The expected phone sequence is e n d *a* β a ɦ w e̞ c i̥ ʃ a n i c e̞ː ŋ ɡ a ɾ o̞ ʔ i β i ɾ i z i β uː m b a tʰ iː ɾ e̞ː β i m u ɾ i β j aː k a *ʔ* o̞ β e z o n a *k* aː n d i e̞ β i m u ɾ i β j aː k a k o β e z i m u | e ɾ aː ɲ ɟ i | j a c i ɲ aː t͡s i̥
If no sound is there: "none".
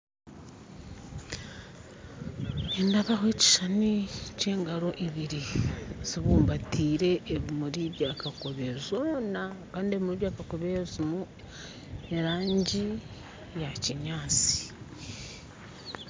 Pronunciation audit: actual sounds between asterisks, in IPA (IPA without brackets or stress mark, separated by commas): a, k, k